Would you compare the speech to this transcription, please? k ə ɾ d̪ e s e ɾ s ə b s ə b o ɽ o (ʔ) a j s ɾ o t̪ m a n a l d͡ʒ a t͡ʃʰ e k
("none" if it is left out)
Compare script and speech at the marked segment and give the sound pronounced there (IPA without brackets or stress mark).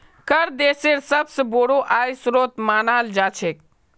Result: ʔ